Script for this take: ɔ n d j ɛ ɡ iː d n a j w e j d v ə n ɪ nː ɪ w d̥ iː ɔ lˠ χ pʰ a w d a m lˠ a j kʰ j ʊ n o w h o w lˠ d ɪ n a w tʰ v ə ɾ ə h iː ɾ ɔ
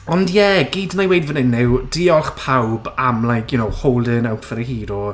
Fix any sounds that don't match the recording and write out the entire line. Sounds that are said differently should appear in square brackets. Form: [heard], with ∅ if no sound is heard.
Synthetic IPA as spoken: ɔ n d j ɛ ɡ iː d n a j w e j d v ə n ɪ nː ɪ w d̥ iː ɔ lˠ χ pʰ a w [b] a m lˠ a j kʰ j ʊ n o w h o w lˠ d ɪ n a w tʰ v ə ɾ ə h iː ɾ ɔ